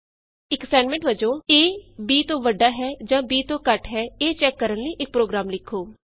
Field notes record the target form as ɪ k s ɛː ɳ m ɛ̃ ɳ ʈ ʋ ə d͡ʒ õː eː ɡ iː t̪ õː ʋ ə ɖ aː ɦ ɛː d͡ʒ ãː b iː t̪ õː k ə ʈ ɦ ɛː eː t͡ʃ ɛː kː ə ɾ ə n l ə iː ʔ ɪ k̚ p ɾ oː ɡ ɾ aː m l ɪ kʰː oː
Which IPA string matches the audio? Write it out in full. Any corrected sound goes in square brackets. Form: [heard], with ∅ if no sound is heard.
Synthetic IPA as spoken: ɪ k s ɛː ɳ m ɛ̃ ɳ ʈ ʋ ə d͡ʒ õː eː [b] iː t̪ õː ʋ ə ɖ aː ɦ ɛː d͡ʒ ãː b iː t̪ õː k ə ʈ ɦ ɛː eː t͡ʃ ɛː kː ə ɾ ə n l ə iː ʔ ɪ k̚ p ɾ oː ɡ ɾ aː m l ɪ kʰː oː